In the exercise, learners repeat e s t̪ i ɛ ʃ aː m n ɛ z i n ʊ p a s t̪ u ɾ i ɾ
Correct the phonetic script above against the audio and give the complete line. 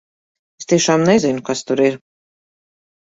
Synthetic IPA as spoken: e s t̪ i ɛ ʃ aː m n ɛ z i n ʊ k a s t̪ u ɾ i ɾ